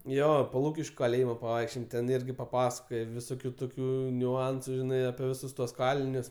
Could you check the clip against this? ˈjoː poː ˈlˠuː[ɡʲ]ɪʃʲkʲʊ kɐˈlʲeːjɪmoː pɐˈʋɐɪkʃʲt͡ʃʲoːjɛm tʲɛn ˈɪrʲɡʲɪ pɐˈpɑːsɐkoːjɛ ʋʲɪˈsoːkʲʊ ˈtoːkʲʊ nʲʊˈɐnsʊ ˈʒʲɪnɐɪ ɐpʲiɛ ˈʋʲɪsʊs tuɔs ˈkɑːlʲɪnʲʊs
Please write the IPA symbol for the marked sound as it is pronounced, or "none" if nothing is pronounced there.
kʲ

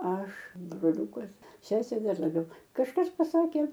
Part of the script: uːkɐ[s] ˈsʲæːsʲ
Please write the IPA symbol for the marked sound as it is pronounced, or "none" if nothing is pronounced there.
s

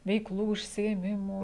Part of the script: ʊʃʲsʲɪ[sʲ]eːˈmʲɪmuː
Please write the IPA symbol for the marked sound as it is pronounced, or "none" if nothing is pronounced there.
none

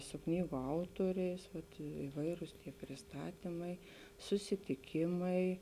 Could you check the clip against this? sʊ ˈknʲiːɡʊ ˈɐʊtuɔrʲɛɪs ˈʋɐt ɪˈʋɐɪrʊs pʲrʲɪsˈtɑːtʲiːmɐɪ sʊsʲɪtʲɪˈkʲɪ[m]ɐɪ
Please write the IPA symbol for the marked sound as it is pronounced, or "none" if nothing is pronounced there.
m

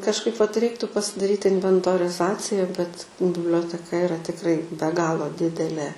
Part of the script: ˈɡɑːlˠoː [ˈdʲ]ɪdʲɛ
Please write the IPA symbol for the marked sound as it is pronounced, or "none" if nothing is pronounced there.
dʲ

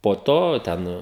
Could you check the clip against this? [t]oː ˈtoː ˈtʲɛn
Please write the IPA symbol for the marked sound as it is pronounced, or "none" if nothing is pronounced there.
p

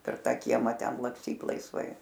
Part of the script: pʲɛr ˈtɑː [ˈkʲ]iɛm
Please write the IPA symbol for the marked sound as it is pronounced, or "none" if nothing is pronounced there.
kʲ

